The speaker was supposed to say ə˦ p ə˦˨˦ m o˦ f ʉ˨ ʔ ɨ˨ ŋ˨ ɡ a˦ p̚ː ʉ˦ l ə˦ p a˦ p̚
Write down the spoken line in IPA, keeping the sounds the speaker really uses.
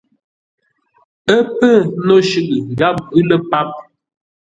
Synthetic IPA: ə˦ p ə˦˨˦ n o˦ ʃ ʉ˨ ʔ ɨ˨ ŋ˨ ɡ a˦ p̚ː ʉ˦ l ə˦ p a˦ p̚